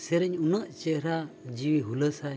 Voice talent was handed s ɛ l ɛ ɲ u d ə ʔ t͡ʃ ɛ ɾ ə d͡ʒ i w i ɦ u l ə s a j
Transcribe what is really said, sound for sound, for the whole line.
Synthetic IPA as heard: s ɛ ɾ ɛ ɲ u n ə ʔ t͡ʃ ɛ ɾ a d͡ʒ i w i ɦ u l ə s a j